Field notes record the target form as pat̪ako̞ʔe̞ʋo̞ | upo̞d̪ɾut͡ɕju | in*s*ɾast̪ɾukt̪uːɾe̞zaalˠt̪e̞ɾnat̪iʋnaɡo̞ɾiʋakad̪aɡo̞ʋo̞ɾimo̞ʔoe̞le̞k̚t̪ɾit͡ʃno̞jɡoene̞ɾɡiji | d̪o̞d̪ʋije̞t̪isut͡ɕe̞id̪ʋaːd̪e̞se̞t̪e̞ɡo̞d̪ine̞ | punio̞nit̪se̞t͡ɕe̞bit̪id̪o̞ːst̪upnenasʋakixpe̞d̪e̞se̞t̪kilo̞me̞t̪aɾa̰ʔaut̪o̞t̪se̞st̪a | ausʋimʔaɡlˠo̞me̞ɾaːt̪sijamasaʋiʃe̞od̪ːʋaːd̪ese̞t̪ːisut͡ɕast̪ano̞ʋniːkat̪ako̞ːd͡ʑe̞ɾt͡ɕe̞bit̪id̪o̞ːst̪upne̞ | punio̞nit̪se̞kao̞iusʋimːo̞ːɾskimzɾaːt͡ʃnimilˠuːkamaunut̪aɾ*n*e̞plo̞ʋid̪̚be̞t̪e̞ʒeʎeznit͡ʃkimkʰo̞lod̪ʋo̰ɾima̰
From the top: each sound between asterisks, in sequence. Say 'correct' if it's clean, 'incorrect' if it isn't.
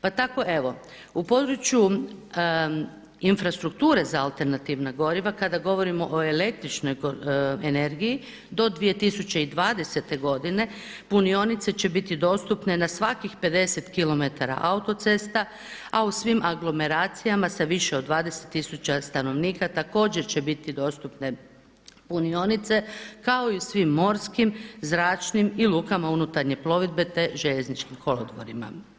incorrect, incorrect

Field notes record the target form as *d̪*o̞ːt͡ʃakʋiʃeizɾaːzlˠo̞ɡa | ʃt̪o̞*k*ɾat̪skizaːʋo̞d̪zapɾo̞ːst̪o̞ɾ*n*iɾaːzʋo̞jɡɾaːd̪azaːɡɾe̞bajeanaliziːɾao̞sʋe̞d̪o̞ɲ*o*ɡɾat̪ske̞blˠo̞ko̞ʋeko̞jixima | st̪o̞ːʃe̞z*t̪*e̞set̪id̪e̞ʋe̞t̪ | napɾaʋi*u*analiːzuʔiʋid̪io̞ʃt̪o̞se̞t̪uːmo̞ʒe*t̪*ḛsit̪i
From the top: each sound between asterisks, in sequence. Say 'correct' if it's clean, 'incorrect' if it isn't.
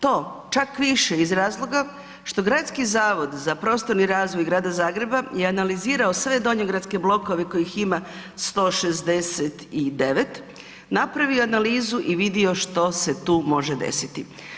incorrect, incorrect, correct, correct, incorrect, incorrect, incorrect

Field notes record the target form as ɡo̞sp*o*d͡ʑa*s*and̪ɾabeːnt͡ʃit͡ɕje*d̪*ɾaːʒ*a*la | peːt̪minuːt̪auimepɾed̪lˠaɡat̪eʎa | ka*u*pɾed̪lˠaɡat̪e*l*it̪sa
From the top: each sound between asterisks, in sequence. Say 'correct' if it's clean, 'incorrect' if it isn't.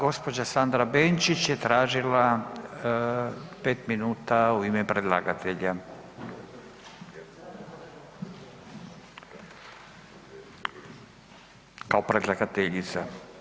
correct, correct, incorrect, incorrect, incorrect, incorrect

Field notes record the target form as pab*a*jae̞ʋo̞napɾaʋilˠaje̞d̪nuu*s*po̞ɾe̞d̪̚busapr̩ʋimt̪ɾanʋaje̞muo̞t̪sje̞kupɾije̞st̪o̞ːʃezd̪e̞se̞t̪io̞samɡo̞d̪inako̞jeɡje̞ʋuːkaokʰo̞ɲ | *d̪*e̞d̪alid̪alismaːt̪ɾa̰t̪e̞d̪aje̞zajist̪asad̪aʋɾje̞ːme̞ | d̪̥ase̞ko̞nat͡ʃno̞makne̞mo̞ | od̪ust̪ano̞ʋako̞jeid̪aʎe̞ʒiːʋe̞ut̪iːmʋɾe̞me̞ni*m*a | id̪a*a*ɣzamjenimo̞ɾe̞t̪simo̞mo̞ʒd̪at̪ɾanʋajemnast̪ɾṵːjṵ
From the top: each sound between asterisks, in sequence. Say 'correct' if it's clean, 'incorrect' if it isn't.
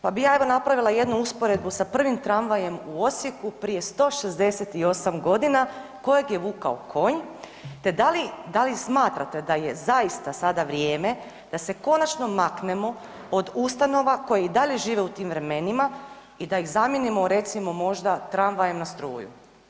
incorrect, correct, incorrect, correct, incorrect

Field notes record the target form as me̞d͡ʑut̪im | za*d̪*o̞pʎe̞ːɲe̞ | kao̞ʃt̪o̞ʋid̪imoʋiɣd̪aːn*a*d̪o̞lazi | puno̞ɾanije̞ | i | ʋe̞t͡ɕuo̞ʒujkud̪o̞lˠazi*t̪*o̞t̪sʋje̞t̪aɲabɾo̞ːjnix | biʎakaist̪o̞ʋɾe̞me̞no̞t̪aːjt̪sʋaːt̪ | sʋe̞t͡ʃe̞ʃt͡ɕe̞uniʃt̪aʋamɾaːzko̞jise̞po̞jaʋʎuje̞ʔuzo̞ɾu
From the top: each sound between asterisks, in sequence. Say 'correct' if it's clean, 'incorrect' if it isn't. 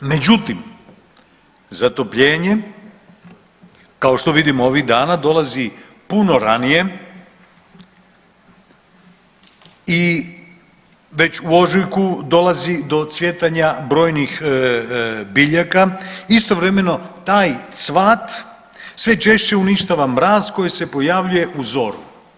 incorrect, correct, incorrect

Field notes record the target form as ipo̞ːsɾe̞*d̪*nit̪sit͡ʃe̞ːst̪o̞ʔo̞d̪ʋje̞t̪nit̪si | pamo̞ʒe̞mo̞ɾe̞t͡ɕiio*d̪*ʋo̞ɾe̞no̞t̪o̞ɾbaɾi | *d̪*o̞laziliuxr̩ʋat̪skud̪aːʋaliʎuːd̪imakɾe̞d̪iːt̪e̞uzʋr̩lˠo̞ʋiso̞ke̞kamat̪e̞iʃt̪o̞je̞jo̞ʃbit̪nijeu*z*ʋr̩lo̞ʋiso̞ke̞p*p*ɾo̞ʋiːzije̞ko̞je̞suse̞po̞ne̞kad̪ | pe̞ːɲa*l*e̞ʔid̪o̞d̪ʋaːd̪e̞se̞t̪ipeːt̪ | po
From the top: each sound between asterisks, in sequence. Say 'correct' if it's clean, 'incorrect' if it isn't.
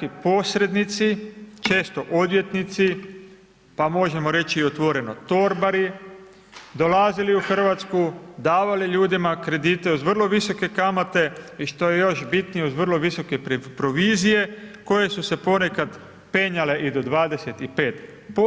correct, incorrect, correct, correct, correct, correct

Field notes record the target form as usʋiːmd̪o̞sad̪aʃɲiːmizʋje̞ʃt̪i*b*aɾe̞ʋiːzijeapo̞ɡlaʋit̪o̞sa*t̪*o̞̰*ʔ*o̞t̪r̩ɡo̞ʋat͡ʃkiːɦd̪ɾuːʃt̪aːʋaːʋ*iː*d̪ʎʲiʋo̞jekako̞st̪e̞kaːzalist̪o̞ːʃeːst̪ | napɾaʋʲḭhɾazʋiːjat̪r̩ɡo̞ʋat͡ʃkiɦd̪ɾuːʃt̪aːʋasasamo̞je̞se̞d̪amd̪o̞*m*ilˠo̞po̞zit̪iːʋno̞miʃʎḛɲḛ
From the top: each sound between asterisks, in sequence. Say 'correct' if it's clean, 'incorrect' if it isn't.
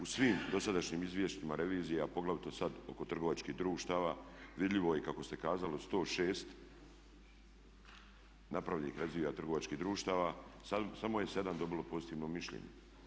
incorrect, incorrect, incorrect, incorrect, incorrect

